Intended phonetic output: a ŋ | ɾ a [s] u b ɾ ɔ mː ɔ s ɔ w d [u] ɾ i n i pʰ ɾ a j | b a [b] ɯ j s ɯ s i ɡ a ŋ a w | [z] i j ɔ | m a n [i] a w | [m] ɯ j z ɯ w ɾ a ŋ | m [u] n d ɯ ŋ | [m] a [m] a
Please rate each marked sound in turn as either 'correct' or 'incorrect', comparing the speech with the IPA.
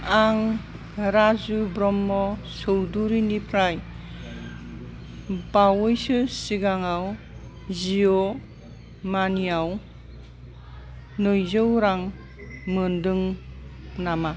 incorrect, correct, incorrect, correct, correct, incorrect, incorrect, incorrect, correct

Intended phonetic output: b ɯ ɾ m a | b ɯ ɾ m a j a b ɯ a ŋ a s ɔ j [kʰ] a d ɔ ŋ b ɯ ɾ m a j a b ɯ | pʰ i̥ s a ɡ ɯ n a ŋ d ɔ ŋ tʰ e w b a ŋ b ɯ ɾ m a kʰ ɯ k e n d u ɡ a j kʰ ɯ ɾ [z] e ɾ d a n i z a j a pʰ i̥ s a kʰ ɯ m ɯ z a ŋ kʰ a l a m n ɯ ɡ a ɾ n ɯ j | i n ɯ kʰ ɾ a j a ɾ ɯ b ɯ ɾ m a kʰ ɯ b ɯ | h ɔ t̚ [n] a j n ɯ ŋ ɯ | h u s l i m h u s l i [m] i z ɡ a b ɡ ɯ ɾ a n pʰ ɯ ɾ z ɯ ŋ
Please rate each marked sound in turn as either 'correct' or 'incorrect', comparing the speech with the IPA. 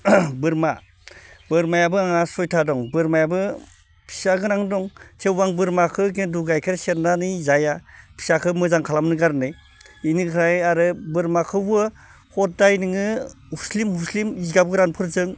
incorrect, incorrect, incorrect, correct

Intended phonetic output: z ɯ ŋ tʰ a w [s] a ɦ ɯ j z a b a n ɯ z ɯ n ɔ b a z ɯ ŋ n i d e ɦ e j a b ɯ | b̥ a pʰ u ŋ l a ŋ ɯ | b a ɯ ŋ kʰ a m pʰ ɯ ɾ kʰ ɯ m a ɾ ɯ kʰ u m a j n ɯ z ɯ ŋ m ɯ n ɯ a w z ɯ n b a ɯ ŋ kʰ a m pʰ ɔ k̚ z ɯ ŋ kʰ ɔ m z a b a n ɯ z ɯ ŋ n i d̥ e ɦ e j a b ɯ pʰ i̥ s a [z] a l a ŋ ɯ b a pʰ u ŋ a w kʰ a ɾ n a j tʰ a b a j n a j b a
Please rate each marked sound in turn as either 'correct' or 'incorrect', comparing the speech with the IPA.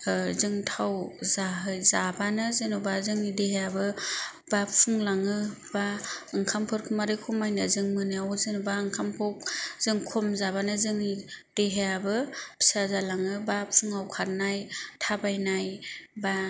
incorrect, correct

